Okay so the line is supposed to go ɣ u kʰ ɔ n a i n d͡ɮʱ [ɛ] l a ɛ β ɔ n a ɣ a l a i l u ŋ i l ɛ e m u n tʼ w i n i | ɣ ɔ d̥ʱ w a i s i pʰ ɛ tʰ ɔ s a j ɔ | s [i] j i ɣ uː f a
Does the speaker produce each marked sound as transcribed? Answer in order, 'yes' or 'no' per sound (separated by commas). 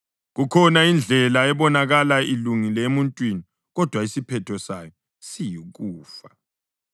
yes, yes